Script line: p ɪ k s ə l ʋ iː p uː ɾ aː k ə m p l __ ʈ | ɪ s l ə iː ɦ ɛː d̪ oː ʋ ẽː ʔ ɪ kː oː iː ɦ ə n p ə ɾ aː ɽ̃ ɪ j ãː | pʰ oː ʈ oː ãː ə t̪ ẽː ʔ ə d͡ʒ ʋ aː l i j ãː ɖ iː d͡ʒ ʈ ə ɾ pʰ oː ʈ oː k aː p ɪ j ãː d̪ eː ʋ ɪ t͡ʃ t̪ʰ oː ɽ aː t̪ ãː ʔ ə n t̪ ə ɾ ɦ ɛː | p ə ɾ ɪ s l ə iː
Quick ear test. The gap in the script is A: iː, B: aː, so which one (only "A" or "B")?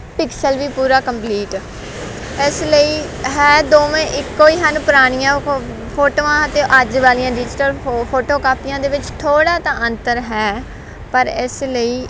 A